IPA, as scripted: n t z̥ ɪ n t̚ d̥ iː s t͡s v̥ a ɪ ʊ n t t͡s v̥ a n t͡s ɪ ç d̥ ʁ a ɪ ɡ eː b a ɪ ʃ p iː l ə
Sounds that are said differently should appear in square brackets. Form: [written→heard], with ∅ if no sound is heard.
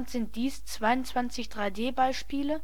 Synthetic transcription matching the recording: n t z̥ ɪ n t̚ d̥ iː s t͡s v̥ a ɪ ʊ n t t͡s v̥ a n t͡s ɪ ç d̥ ʁ a ɪ [ɡ→d] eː b a ɪ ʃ p iː l ə